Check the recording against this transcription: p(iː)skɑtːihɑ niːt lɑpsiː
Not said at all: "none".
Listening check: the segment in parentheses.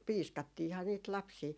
iː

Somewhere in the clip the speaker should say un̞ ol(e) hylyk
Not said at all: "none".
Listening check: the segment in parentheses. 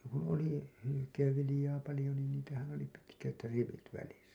i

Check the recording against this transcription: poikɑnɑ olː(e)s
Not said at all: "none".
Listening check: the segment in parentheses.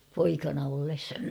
e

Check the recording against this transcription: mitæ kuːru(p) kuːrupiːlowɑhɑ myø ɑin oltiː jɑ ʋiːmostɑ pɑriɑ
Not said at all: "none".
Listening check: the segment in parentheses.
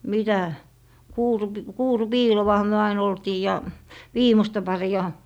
p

